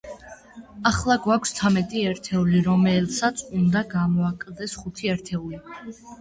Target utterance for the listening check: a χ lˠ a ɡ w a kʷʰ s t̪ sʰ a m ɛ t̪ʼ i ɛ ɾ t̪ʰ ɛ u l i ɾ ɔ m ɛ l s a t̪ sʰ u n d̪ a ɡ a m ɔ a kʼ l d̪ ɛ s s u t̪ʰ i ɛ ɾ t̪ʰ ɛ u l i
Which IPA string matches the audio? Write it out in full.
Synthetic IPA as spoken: a χ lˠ a ɡ w a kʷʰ s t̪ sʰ a m ɛ t̪ʼ i ɛ ɾ t̪ʰ ɛ u l i ɾ ɔ m ɛ l s a t̪ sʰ u n d̪ a ɡ a m ɔ a kʼ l d̪ ɛ s χ u t̪ʰ i ɛ ɾ t̪ʰ ɛ u l i